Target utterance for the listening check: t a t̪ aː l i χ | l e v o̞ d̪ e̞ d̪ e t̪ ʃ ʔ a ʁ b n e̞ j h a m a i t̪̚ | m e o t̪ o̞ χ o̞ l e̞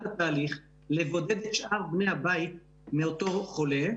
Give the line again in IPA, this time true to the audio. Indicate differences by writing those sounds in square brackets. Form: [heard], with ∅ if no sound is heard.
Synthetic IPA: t a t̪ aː l i χ | l e v o̞ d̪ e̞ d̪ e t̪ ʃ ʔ a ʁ b n e̞ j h a [b] a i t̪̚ | m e o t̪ o̞ χ o̞ l e̞